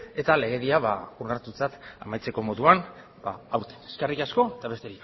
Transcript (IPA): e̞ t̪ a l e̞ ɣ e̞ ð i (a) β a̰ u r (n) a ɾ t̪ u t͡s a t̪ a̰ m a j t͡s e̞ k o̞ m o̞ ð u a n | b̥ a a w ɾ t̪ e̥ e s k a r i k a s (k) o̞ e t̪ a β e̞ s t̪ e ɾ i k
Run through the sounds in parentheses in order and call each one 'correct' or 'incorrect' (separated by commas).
correct, correct, correct